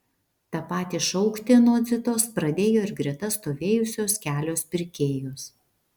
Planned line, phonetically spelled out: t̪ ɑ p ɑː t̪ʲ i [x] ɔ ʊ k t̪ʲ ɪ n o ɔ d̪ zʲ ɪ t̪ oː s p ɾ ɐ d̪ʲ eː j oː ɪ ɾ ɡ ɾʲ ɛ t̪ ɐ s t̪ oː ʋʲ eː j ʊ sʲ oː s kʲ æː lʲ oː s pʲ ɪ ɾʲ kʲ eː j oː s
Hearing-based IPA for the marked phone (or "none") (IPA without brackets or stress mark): ʃ